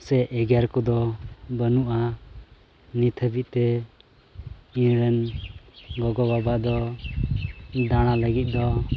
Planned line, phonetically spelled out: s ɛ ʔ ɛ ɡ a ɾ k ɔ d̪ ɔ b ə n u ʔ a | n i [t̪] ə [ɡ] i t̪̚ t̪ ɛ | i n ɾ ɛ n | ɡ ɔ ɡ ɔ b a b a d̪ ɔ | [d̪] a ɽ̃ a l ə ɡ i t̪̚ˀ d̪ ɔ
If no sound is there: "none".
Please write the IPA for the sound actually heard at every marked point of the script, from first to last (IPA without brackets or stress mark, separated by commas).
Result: t̪ʰ, b, d̪